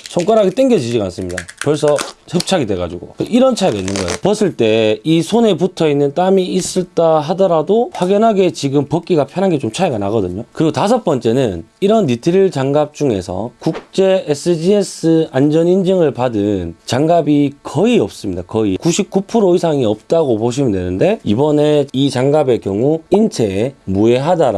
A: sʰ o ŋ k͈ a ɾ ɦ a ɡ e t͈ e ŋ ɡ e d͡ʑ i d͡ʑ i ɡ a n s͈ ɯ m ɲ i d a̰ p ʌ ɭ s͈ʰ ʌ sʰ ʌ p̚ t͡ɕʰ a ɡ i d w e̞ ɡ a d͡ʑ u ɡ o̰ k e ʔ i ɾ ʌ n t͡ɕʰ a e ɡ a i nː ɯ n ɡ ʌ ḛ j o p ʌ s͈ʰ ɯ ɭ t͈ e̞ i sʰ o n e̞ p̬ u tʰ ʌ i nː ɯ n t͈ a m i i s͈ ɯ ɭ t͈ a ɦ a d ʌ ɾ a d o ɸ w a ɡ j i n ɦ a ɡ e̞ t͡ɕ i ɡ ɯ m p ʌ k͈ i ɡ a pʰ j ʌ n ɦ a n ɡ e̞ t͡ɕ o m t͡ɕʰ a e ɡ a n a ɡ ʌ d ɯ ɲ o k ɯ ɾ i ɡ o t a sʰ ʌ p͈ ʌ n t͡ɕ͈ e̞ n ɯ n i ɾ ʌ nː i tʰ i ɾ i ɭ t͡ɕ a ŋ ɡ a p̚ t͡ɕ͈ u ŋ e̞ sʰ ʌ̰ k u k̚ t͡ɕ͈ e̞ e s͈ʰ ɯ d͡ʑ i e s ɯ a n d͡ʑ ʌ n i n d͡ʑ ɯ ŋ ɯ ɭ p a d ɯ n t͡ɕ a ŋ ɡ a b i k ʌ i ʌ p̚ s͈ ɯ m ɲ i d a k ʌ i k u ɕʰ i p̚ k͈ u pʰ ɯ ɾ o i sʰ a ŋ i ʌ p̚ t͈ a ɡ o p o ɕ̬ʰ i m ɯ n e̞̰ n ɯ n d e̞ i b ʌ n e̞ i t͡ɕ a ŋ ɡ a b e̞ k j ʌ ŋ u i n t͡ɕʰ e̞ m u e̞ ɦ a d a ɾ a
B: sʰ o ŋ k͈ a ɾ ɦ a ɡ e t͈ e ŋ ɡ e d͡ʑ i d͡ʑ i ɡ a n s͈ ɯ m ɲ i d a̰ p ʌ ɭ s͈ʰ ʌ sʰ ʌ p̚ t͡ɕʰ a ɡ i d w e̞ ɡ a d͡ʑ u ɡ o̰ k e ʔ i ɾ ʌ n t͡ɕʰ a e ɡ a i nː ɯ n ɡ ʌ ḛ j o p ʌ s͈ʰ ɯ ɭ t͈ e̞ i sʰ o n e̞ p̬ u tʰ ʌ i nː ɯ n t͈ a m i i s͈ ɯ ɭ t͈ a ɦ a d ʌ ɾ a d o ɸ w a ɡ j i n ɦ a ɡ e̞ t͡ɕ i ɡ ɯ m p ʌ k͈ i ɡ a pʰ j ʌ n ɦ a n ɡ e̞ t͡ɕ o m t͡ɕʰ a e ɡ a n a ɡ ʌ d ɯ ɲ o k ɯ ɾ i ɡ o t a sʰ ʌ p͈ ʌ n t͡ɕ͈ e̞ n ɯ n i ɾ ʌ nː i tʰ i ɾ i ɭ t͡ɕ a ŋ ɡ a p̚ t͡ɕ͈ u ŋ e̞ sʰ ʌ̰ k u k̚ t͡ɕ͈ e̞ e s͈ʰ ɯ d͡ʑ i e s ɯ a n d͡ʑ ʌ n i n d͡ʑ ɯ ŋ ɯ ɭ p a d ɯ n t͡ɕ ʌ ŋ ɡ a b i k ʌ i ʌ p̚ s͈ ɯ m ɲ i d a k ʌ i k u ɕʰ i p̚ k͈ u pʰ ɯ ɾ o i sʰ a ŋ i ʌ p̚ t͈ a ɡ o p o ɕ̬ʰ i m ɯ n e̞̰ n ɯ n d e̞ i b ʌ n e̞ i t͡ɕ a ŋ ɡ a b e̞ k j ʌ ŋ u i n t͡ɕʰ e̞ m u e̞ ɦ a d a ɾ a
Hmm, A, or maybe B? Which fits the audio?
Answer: A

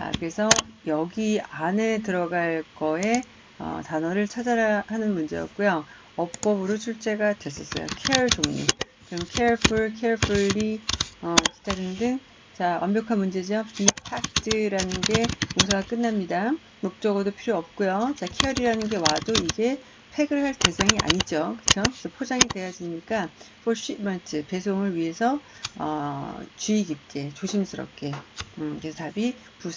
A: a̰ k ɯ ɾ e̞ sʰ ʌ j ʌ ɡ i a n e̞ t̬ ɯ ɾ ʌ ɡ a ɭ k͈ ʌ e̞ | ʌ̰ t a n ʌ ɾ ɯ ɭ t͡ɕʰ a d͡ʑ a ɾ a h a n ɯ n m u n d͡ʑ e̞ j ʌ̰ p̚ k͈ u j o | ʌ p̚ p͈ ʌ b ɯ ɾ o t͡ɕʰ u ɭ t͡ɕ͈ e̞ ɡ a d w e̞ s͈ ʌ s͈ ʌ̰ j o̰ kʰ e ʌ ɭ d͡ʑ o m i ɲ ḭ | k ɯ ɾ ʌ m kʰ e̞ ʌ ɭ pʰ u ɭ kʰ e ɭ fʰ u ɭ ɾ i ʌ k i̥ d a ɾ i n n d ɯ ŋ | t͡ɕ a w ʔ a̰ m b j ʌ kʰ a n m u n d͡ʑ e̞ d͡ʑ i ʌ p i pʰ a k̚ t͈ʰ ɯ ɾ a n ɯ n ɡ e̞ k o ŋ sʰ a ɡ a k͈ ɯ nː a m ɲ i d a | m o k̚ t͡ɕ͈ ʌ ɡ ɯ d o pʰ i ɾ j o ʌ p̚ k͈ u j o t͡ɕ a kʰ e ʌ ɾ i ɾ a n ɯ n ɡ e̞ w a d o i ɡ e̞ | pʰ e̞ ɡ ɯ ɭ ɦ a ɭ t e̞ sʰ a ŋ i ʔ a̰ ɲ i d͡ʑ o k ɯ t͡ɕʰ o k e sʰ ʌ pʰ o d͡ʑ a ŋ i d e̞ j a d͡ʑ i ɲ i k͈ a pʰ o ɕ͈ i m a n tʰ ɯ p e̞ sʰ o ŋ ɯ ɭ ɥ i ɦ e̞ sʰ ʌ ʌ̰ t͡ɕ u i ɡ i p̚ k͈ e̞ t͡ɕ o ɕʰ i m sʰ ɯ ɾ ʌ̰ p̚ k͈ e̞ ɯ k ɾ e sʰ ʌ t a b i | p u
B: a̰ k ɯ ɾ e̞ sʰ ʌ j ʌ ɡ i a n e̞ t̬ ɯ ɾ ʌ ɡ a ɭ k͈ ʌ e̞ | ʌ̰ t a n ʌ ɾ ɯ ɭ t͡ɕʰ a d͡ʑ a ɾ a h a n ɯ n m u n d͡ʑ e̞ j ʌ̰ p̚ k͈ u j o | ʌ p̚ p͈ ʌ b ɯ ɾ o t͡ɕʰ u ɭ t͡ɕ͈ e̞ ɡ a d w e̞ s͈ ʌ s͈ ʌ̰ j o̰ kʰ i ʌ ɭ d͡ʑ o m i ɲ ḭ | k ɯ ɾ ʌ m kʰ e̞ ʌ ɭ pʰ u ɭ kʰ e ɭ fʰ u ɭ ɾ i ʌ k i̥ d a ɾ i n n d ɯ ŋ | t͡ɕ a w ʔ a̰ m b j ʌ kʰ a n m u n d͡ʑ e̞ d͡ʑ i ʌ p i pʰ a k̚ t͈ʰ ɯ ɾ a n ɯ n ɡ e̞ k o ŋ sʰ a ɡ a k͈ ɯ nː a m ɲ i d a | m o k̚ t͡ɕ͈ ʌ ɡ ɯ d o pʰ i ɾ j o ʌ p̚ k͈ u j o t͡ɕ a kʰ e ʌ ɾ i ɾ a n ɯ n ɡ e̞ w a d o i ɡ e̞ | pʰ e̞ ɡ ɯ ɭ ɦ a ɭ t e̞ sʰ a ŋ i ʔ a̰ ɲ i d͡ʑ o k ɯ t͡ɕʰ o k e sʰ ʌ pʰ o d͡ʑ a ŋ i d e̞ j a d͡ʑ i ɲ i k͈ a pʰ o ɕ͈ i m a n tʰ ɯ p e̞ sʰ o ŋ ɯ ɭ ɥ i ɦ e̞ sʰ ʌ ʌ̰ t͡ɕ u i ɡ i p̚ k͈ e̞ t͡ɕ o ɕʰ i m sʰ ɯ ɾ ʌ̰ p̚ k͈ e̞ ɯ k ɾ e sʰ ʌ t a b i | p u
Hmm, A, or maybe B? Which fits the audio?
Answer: A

